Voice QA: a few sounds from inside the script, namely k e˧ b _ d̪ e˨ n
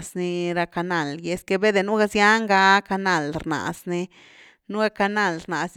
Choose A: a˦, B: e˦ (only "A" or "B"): B